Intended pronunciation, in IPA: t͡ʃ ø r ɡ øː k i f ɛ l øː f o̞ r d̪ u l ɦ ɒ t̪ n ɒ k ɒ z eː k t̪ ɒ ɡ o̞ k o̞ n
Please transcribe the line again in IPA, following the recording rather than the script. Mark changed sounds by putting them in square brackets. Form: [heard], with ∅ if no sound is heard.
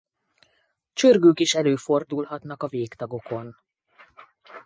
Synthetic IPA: t͡ʃ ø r ɡ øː k i [ʃ] ɛ l øː f o̞ r d̪ u l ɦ ɒ t̪ n ɒ k ɒ [v] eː k t̪ ɒ ɡ o̞ k o̞ n